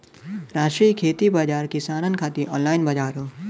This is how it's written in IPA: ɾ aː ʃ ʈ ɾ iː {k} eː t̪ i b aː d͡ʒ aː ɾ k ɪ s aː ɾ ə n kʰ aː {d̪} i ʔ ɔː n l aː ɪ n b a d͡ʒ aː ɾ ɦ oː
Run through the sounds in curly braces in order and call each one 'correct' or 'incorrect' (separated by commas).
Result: incorrect, incorrect